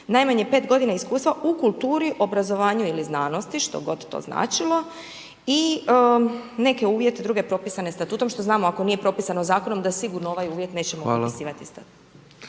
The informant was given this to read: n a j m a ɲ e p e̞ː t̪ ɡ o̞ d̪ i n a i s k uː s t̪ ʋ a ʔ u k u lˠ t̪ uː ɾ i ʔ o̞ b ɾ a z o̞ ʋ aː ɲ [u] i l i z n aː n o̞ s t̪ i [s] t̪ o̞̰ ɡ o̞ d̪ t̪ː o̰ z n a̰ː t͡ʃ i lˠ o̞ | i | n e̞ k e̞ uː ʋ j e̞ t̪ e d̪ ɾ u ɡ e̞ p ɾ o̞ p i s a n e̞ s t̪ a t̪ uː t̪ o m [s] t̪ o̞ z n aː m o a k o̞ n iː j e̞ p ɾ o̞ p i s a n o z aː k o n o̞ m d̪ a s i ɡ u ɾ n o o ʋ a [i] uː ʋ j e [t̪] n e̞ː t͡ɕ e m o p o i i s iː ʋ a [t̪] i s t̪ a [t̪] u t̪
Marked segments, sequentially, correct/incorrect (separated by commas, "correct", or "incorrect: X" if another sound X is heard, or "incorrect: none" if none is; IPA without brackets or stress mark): correct, incorrect: ʃ, incorrect: ʃ, incorrect: j, correct, correct, correct